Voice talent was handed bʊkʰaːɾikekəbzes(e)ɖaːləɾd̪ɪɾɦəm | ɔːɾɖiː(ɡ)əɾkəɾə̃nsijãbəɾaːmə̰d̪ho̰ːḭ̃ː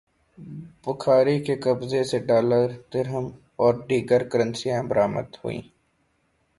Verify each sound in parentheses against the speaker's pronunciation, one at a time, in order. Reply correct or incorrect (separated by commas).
correct, correct